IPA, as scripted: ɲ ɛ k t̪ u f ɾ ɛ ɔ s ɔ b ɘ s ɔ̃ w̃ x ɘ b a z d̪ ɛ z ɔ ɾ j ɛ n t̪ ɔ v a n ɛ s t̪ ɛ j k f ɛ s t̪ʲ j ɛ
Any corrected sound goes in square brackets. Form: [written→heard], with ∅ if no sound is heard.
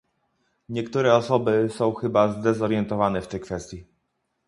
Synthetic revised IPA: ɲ ɛ k t̪ u [f→∅] ɾ ɛ ɔ s ɔ b ɘ s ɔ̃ w̃ x ɘ b a z d̪ ɛ z ɔ ɾ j ɛ n t̪ ɔ v a n ɛ [s→f] t̪ ɛ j k f ɛ s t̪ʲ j [ɛ→i]